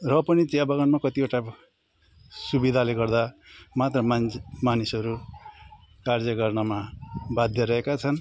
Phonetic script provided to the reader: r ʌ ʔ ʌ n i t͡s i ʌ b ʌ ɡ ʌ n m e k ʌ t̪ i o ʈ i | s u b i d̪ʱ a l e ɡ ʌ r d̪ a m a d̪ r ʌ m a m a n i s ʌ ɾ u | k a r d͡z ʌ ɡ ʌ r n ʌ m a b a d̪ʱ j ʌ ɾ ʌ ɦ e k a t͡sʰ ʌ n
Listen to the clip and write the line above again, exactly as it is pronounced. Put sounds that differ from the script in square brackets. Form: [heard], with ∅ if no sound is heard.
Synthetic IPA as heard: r ʌ [p] ʌ n i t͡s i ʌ b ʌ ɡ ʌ n m [a] k ʌ t̪ i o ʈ [a] | s u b i d̪ʱ a l e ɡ ʌ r d̪ a m a [t̪] r ʌ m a m a n i s ʌ ɾ u | k a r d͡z ʌ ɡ ʌ r n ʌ m a b a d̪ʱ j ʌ ɾ ʌ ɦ e k a t͡sʰ ʌ n